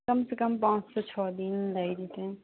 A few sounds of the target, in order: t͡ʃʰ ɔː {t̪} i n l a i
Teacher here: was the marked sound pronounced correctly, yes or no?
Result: no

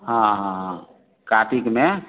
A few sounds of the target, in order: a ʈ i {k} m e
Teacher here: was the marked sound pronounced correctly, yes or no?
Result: yes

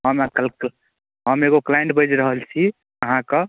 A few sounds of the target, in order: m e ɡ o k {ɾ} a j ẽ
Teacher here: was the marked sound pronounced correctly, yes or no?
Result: no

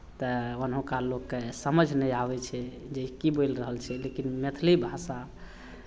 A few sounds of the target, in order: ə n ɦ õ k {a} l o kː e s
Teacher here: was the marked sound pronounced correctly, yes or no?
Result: yes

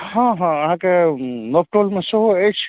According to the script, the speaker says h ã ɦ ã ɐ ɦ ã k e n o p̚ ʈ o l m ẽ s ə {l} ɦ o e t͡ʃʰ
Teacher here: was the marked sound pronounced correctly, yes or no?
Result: no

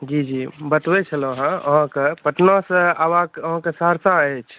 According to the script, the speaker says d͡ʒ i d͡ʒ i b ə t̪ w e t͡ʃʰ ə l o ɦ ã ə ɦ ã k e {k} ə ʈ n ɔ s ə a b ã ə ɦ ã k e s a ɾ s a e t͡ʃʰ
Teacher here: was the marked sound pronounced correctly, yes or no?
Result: no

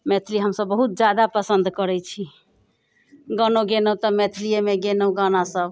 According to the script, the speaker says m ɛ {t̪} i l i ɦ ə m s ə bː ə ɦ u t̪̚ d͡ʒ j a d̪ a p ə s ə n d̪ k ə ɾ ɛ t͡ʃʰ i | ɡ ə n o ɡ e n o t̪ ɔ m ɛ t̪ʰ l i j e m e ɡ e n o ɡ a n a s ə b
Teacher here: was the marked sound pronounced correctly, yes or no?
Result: no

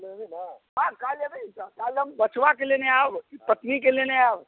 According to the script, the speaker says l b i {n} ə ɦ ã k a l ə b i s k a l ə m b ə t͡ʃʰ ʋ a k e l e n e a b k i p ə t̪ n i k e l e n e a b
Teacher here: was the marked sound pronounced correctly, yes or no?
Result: yes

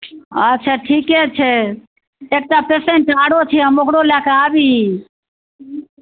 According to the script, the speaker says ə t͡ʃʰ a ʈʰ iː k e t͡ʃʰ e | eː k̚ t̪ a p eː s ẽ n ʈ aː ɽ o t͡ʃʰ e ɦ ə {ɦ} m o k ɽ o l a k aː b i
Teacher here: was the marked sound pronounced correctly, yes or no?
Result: no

